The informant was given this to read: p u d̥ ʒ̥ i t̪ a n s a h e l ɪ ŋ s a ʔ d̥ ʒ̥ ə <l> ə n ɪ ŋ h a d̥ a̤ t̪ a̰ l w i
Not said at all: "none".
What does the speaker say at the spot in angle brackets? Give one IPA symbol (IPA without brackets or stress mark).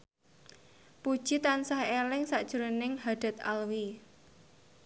ɾ